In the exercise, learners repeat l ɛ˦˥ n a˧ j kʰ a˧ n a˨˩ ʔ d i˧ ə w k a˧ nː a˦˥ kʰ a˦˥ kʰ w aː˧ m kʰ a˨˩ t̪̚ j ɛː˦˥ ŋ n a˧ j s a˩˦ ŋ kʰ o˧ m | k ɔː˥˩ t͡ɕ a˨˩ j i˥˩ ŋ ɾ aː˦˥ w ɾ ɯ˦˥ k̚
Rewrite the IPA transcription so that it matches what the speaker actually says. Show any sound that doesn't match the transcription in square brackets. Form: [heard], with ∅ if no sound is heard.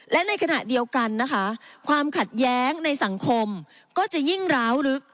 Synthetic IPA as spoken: l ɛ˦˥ n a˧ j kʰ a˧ n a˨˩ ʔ d i˧ ə w k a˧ nː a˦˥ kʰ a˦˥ kʰ w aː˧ m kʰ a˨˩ t̪̚ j ɛː˦˥ ŋ n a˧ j s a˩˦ ŋ kʰ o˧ m | k ɔː˥˩ t͡ɕ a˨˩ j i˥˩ ŋ ɾ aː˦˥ w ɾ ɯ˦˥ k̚